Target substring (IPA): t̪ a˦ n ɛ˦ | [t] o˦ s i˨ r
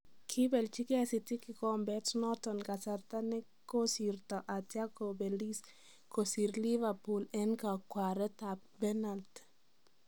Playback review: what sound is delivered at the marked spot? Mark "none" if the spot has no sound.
k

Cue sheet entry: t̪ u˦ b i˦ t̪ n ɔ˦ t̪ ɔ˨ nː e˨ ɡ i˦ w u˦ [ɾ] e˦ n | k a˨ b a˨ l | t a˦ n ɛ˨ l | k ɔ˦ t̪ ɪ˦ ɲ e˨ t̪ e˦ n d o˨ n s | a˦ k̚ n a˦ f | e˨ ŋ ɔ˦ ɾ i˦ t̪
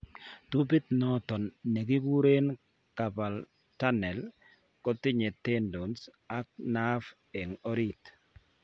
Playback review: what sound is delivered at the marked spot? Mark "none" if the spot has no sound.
ɾ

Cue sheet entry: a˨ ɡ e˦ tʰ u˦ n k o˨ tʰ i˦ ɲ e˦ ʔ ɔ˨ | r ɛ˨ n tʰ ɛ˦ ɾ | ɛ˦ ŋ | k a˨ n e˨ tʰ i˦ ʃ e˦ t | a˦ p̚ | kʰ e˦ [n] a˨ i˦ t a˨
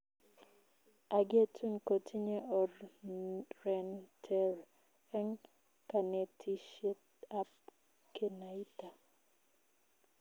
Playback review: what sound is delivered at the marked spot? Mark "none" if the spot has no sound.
n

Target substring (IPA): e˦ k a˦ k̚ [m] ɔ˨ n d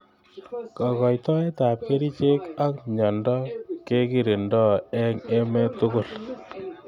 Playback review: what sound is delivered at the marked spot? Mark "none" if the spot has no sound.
ɲ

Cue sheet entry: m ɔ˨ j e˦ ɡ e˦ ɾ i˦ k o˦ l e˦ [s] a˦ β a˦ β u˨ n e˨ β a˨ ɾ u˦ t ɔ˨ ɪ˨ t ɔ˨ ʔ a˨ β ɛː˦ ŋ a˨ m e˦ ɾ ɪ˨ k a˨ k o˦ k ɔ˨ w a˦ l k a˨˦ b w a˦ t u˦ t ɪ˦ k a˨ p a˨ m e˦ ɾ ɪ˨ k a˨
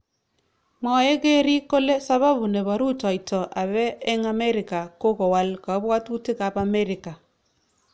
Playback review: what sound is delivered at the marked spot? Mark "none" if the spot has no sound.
s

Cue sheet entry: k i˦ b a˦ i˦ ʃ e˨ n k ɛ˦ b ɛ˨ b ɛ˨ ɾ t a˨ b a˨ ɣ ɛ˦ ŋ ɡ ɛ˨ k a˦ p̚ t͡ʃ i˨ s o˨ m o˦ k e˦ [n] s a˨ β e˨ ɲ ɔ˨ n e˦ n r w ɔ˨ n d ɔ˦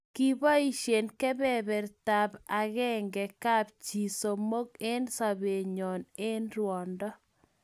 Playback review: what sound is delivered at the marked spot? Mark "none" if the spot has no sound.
n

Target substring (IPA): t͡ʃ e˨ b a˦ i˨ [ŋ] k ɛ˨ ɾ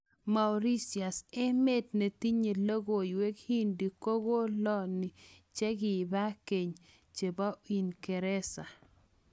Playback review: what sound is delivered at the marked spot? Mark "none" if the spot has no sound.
n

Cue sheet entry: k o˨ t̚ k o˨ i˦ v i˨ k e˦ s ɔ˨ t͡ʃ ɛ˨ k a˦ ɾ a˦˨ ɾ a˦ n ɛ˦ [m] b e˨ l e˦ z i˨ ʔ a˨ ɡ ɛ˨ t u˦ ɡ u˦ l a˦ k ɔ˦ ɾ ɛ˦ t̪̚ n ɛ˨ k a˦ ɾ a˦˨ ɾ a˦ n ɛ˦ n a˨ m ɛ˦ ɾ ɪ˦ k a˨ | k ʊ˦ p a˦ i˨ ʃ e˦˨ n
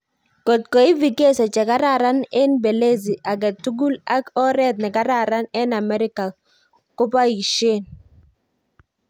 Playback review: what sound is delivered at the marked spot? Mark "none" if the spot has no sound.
n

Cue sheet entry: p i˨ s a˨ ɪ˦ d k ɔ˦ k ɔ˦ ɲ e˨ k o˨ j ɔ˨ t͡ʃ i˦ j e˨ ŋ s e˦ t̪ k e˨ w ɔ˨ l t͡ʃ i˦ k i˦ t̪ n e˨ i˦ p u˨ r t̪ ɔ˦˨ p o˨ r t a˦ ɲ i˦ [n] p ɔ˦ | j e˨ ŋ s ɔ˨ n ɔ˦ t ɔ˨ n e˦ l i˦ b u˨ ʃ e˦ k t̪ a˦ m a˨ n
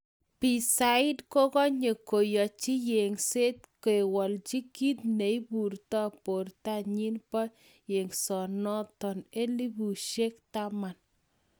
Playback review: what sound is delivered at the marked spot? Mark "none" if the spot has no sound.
n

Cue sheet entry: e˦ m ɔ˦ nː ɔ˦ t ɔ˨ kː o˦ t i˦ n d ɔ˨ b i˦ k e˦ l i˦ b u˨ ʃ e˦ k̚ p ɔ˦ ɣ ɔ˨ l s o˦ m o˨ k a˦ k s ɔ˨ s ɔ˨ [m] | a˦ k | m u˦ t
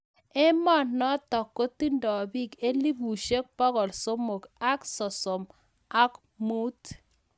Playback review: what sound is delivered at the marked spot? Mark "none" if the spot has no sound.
m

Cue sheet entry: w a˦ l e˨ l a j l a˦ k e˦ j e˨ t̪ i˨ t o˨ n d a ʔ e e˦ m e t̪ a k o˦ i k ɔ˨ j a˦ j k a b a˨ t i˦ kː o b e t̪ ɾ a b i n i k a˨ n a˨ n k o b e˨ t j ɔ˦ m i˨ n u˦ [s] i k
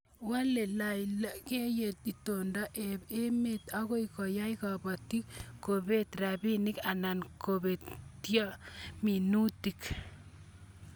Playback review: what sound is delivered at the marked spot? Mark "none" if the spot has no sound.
t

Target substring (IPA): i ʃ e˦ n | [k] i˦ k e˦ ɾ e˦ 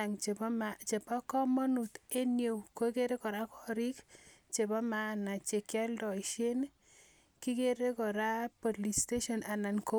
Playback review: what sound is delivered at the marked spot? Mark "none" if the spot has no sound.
k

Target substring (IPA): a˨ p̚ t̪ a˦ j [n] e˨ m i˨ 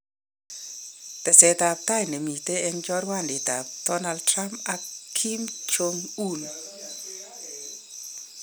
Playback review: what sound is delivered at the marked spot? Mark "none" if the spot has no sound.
n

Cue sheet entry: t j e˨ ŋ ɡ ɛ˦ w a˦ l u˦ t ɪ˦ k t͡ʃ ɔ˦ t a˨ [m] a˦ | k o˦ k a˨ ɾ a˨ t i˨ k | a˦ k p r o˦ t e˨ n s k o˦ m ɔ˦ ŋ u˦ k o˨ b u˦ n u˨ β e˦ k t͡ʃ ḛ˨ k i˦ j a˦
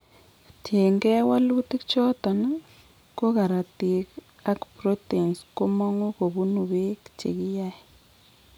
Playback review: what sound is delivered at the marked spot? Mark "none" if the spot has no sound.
n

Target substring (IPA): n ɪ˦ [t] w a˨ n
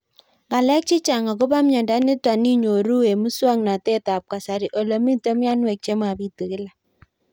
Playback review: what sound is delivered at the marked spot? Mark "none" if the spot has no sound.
t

